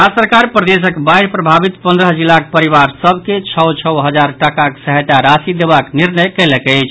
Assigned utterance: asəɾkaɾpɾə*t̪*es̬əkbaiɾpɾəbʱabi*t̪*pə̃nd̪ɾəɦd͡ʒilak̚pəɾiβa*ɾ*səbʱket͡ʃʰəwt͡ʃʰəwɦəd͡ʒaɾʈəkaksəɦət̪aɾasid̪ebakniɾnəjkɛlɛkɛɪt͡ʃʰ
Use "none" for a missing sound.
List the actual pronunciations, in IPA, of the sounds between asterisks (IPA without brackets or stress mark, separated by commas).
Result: d̪, t̪, ɾ